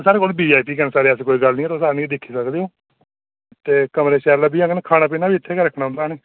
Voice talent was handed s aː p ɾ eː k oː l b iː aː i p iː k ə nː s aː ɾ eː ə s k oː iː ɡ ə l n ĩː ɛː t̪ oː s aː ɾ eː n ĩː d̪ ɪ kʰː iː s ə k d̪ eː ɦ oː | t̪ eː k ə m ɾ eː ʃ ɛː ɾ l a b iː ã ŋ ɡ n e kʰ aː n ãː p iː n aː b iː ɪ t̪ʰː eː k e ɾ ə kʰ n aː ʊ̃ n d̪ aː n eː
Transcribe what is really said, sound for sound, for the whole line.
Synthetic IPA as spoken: s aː ɾ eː k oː l b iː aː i p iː k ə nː s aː ɾ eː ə s k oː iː ɡ ə l n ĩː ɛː t̪ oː s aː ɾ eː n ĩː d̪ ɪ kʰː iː s ə k d̪ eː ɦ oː | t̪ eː k ə m ɾ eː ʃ ɛː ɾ l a b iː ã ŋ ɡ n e kʰ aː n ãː p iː n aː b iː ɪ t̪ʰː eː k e ɾ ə kʰ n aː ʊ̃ n d̪ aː n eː